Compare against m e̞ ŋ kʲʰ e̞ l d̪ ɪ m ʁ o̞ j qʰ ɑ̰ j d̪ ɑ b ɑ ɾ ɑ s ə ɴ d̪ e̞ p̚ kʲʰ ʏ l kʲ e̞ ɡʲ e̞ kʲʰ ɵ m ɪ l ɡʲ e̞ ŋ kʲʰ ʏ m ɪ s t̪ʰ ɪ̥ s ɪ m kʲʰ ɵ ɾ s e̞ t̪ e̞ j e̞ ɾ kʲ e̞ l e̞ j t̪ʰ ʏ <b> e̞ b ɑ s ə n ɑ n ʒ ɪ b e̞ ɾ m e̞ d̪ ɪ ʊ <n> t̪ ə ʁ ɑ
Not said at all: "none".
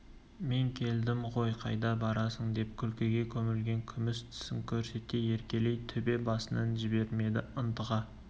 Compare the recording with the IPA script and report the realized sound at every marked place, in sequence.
b, n

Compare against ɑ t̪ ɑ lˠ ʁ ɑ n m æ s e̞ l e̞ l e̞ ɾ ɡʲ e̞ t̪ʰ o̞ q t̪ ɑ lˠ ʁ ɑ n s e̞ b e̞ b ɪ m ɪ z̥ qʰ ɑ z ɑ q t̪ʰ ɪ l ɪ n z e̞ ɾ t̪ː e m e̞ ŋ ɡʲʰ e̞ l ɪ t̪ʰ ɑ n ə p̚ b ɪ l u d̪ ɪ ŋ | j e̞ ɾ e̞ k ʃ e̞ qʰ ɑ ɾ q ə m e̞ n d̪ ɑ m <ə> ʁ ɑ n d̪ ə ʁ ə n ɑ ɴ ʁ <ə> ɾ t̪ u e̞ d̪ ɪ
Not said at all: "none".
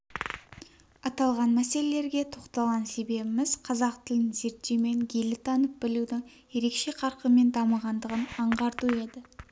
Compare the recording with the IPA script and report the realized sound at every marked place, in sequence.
ə, ɑ

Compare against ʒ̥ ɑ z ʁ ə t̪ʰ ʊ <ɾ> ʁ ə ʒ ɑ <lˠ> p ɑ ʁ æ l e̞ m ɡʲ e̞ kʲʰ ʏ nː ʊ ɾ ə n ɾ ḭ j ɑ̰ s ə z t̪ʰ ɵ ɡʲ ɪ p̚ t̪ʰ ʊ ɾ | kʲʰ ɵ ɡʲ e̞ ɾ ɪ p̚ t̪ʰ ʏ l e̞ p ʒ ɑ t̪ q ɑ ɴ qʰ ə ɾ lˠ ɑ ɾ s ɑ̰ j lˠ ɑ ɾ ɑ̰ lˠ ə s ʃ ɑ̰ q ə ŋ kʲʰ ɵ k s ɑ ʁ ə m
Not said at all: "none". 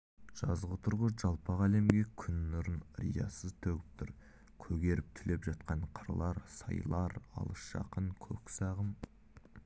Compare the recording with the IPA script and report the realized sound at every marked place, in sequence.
ɾ, lˠ

